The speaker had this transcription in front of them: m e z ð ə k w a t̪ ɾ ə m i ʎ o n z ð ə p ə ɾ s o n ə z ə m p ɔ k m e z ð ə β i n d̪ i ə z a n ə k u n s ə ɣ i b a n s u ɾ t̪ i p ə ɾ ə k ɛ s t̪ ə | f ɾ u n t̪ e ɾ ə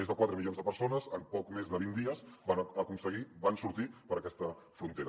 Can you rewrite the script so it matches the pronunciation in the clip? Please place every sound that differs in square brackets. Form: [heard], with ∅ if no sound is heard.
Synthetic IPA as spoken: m e z ð ə k w a t̪ ɾ ə m i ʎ o n z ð ə p ə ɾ s o n ə z ə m p ɔ k m e z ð ə β i n d̪ i ə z a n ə k u n s ə ɣ i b a n s u ɾ t̪ i p ə ɾ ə k ɛ s t̪ ə | f ɾ u n t̪ e ɾ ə